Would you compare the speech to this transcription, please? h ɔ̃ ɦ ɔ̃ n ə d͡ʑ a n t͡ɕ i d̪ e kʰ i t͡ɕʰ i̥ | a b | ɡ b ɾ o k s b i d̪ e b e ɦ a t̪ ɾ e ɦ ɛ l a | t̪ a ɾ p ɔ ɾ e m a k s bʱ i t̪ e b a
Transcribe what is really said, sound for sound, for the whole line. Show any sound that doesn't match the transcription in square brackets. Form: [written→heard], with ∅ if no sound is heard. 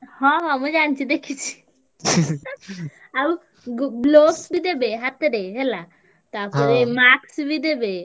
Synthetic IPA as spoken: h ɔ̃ ɦ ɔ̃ [n→m] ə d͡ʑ a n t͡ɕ i d̪ e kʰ i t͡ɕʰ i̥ | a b | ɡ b [ɾ→l] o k s b i d̪ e b e ɦ a t̪ ɾ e ɦ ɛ l a | t̪ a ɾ p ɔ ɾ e m a k s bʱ i [t̪→d̪] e b [a→e]